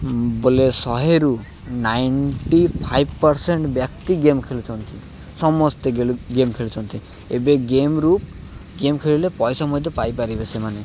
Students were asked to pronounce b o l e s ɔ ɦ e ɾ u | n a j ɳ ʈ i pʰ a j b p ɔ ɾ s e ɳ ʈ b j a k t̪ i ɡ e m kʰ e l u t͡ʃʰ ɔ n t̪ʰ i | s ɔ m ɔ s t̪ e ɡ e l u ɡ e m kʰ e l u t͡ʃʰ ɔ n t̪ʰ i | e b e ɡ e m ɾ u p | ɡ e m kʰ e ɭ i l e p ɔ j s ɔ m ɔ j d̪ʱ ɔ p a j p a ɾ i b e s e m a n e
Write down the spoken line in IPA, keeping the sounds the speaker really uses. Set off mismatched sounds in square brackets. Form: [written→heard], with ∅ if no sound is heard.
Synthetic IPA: b o l e s ɔ ɦ e ɾ u | n a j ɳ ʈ i pʰ a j b p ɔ ɾ s e ɳ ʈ b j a k t̪ i ɡ e m kʰ e l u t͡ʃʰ ɔ n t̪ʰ i | s ɔ m ɔ s t̪ e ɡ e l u ɡ e m kʰ e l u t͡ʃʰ ɔ n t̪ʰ i | e b e ɡ e m ɾ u p | ɡ e m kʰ e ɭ i l e p ɔ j s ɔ m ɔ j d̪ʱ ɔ p a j p a ɾ i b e s e m a n e